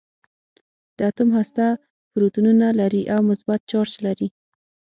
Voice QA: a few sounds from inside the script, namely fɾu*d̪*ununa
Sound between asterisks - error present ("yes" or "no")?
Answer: yes